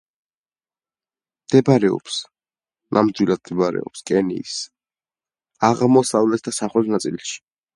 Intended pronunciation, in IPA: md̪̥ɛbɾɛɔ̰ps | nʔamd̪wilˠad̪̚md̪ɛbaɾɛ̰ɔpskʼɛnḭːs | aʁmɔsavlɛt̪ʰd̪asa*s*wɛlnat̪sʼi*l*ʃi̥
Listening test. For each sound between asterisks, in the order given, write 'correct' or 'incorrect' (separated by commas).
incorrect, correct